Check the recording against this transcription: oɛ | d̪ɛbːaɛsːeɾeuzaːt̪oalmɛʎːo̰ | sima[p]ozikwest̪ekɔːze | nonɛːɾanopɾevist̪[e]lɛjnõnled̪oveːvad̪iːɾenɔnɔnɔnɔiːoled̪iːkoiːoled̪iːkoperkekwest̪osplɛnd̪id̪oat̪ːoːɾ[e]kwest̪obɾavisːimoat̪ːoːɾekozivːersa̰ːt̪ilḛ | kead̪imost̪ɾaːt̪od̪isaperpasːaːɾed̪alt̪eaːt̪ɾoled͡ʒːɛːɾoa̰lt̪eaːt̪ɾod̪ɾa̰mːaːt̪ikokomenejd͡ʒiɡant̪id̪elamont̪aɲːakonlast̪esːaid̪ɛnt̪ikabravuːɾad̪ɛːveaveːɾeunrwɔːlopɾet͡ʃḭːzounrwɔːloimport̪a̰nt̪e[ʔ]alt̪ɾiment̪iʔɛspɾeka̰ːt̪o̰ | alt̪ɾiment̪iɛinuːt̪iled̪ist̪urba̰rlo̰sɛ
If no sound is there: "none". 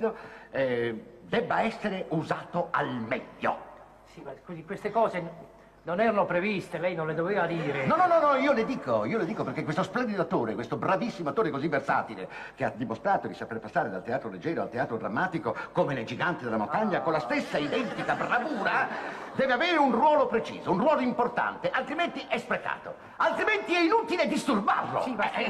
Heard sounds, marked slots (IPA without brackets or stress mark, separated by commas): k, e, e, ʔ